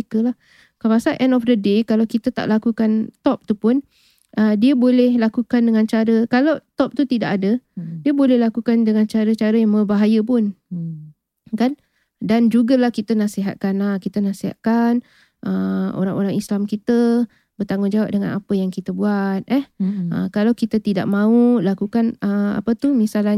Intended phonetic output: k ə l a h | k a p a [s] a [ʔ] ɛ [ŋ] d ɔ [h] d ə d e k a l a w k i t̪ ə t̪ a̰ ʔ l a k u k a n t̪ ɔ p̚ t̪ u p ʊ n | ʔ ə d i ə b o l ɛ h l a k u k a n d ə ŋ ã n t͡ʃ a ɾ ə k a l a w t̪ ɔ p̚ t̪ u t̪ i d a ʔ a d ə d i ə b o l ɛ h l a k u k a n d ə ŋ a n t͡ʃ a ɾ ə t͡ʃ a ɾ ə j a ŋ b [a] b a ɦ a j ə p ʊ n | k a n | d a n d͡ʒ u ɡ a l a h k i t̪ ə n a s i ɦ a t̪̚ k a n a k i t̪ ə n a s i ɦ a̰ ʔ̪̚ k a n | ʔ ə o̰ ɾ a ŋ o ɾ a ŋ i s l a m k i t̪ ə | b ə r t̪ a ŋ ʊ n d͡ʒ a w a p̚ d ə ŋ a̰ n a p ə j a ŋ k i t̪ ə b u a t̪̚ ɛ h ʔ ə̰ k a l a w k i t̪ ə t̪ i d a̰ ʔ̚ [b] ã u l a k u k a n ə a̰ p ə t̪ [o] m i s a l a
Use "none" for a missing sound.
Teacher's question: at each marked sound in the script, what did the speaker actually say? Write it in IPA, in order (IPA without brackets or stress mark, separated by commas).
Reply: s, ʔ, n, f, ə, m, u